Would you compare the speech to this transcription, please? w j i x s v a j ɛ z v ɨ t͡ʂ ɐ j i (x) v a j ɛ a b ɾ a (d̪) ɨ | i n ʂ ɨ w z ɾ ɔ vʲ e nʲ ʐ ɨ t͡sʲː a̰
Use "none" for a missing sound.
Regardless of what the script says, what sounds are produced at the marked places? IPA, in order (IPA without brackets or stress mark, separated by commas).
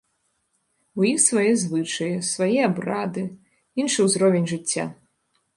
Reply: s, d̪